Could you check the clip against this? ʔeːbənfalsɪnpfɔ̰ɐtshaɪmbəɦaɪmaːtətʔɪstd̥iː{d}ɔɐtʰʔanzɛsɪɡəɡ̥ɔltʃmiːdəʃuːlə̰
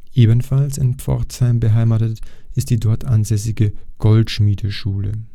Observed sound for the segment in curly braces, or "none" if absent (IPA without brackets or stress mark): d